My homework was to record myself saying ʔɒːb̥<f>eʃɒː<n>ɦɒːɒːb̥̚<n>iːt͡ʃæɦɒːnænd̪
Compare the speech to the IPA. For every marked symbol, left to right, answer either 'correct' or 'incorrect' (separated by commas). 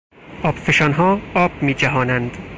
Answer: correct, correct, incorrect